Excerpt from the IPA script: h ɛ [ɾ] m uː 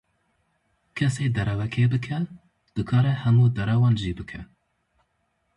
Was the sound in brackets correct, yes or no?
no